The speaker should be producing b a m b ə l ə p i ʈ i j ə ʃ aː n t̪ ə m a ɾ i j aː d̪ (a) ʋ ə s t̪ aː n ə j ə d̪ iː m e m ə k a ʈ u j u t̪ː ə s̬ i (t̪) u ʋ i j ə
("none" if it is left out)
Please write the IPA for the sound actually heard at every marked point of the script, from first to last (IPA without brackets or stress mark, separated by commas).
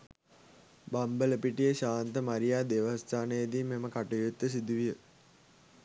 e, d̪